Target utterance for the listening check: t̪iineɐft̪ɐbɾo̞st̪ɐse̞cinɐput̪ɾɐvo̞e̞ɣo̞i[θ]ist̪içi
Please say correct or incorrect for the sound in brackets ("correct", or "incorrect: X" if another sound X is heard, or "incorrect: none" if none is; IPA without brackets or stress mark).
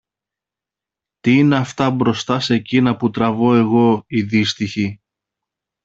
incorrect: ð